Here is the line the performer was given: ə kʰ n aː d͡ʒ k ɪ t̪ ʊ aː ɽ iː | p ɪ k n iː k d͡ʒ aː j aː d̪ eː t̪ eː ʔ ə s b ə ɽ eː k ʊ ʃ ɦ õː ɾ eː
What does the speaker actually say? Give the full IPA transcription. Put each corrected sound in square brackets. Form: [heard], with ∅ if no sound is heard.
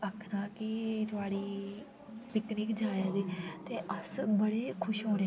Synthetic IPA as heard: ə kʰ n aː [∅] k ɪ t̪ ʊ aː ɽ iː | p ɪ k n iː k d͡ʒ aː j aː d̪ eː t̪ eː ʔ ə s b ə ɽ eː [kʰ] ʊ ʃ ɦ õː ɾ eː